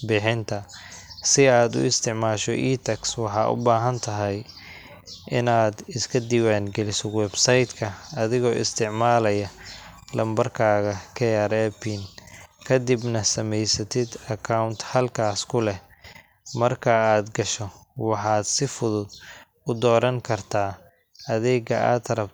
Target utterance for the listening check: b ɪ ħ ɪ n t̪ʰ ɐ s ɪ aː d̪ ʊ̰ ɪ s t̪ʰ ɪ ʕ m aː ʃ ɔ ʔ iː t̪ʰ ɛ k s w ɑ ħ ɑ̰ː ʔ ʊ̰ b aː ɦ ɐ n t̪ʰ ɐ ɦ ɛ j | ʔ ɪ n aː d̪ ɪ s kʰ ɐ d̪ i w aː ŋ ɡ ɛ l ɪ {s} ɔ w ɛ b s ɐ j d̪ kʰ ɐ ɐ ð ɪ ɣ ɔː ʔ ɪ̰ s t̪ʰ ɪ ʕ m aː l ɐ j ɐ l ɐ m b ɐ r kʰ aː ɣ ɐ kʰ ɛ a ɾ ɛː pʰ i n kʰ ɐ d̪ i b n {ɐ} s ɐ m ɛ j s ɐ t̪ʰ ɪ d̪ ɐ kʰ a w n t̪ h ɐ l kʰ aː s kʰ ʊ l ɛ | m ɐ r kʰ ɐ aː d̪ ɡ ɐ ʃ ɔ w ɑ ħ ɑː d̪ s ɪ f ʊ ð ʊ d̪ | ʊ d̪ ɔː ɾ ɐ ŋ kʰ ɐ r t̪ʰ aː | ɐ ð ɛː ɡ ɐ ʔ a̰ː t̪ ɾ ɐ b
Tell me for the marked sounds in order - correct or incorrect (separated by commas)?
correct, correct